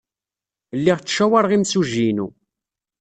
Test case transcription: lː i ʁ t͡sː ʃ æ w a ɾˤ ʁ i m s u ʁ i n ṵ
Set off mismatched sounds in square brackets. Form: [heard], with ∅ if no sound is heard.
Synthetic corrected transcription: lː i ʁ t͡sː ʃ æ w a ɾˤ ʁ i m s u [ʒ] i n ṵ